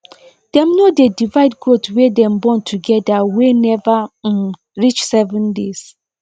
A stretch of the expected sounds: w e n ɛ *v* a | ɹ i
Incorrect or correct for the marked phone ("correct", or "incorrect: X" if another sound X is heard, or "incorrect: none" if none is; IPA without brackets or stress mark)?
correct